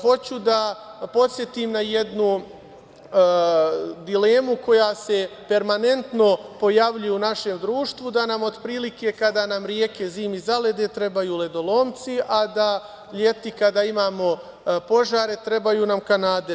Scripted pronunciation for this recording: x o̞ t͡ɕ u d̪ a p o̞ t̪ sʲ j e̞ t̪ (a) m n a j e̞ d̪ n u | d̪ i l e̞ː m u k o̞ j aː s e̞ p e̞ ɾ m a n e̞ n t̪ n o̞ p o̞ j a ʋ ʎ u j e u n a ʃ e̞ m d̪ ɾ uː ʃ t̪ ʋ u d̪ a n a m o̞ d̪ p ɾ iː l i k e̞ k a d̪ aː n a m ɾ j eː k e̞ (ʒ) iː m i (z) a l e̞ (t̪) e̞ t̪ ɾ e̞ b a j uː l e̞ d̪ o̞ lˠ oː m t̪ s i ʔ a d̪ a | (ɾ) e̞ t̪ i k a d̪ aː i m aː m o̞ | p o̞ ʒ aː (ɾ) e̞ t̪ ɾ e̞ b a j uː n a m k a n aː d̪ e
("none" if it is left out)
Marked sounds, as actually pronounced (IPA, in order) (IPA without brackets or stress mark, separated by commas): i, z, z, d̪, ʎ, ɾ